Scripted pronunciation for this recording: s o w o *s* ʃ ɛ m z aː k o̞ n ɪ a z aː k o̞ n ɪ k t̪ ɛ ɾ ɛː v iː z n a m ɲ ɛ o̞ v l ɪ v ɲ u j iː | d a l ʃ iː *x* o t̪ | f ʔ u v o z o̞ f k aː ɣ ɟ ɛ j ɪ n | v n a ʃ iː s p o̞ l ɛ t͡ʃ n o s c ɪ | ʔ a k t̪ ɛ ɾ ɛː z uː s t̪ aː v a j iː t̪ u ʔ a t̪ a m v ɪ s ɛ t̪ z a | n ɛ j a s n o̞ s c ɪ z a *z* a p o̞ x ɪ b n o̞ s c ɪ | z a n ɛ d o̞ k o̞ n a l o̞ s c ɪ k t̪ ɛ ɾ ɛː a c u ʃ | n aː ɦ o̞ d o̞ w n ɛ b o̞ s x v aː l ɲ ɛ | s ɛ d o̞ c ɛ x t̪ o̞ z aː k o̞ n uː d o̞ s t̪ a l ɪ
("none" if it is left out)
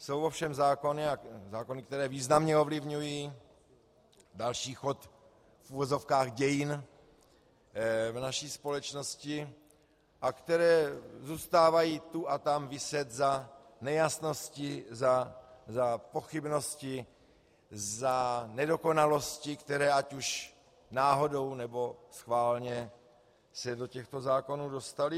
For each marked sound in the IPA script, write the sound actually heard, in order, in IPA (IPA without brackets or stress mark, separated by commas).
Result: f, x, z